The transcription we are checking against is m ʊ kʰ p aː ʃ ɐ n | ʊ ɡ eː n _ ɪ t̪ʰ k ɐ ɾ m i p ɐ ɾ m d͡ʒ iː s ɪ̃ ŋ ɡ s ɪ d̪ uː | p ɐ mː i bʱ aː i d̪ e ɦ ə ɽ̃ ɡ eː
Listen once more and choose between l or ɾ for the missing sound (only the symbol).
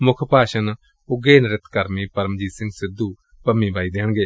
ɾ